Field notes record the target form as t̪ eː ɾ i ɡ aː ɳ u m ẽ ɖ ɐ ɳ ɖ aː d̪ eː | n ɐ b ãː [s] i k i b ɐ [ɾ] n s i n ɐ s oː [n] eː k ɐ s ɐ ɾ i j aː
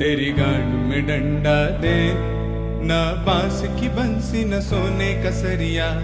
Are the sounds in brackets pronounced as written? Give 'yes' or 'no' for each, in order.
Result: yes, no, yes

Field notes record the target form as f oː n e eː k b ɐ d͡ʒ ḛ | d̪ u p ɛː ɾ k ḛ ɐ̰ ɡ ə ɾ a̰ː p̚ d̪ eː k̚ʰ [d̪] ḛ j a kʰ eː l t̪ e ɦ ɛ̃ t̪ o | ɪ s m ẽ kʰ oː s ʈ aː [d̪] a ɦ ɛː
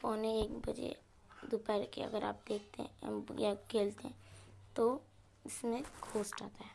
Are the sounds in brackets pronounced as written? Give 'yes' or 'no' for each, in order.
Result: no, no

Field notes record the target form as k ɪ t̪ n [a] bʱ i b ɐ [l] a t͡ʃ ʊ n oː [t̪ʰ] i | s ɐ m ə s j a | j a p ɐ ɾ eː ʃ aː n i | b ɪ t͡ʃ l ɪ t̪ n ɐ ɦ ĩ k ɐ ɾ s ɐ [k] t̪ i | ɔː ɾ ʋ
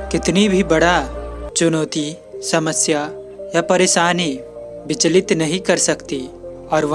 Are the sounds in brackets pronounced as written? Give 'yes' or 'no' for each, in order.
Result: no, no, no, yes

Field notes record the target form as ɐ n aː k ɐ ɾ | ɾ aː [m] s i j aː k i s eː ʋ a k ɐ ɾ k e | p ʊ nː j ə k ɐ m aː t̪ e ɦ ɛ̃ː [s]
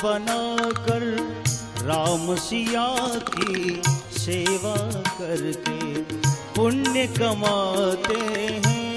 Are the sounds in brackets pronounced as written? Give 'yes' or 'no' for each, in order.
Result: yes, no

